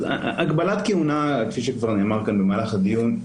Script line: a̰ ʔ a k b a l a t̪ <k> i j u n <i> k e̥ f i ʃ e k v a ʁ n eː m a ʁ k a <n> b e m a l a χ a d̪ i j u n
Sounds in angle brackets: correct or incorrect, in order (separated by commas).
correct, incorrect, correct